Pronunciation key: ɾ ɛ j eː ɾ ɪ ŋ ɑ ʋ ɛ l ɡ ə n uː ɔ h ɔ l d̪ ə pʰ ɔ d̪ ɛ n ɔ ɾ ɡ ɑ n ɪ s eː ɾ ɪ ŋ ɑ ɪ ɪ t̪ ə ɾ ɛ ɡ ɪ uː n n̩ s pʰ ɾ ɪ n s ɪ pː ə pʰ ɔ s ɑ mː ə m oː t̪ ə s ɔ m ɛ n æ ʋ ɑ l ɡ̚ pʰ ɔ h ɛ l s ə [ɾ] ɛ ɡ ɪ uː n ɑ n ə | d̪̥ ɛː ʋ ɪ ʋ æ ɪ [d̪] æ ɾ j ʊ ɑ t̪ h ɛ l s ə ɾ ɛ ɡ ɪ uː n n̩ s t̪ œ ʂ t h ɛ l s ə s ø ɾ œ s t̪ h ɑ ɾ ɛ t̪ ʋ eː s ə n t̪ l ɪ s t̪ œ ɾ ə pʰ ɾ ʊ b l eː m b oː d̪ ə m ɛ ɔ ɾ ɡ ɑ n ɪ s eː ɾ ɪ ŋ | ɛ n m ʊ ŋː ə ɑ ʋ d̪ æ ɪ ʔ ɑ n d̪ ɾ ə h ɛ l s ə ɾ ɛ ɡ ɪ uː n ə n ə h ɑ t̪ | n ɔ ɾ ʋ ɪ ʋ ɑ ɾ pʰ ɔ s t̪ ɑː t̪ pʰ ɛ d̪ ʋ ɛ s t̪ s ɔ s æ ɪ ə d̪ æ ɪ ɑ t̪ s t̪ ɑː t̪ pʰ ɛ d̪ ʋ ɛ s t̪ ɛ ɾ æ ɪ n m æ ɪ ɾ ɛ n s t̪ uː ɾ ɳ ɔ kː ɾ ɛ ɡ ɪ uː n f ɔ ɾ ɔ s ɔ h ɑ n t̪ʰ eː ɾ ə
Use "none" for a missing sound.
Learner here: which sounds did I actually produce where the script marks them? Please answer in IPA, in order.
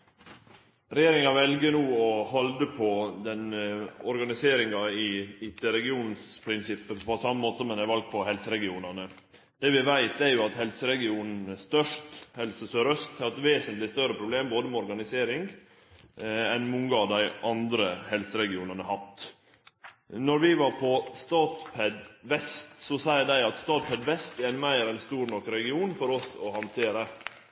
ɾ, t̪

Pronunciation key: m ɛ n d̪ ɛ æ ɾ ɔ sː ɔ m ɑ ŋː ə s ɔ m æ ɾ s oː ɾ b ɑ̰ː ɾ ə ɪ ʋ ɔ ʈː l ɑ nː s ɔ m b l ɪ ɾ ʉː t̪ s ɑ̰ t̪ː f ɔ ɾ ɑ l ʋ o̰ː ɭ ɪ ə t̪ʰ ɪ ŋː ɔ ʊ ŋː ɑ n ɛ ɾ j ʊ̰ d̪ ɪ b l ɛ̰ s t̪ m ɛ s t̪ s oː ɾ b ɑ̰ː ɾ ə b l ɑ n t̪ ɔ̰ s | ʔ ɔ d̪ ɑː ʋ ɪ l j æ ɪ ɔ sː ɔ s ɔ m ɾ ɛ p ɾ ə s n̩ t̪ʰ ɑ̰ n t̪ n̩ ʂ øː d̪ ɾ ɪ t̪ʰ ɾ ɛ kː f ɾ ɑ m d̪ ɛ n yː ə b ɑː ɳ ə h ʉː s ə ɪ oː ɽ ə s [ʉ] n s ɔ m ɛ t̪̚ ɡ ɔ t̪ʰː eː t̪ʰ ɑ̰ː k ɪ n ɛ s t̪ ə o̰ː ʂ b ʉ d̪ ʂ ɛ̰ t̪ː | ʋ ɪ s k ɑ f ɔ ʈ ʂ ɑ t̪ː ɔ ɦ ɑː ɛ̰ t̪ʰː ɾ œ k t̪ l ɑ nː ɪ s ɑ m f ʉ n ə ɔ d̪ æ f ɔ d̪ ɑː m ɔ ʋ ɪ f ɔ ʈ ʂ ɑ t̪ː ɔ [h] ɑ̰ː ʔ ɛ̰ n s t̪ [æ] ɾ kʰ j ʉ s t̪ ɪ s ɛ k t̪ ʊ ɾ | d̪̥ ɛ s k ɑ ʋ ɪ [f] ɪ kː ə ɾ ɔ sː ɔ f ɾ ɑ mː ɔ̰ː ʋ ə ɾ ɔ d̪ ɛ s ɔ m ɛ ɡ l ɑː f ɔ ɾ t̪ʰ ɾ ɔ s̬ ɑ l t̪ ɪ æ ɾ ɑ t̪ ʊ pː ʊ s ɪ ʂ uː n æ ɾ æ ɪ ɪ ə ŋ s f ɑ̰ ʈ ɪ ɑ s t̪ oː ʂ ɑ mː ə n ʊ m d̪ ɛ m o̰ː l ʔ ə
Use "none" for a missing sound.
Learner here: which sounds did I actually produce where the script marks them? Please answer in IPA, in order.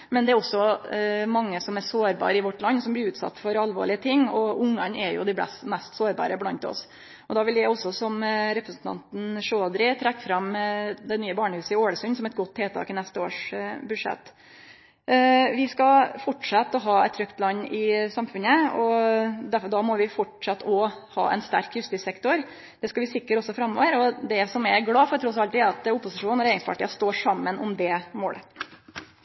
ʉ, h, æ, s

